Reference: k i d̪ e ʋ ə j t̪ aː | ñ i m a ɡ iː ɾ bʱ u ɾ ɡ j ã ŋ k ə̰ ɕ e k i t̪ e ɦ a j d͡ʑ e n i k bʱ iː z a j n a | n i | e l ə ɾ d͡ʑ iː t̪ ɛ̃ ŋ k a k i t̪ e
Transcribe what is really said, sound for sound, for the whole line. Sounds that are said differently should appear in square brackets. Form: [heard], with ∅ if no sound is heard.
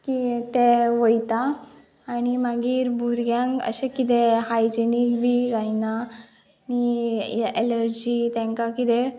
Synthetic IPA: k i [t̪] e ʋ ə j t̪ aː | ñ i m a ɡ iː ɾ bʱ u ɾ ɡ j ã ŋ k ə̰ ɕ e k i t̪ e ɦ a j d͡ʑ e n i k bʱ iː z a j n a | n i | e l ə ɾ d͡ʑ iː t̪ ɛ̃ ŋ k a k i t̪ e